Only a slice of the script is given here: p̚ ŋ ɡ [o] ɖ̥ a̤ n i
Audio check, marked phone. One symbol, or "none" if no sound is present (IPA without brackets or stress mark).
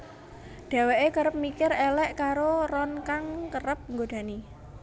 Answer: o